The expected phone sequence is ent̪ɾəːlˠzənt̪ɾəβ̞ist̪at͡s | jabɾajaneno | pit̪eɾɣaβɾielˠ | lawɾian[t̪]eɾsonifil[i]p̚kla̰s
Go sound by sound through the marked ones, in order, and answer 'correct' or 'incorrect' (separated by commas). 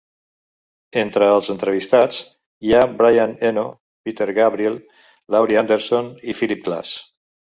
incorrect, correct